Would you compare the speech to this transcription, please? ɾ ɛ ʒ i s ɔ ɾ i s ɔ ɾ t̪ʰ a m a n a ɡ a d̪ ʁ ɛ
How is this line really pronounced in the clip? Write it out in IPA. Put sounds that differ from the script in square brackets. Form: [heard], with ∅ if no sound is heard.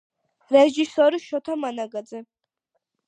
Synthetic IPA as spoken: ɾ ɛ ʒ i s ɔ ɾ i [ʃ] ɔ [∅] t̪ʰ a m a n a ɡ a d̪ [z] ɛ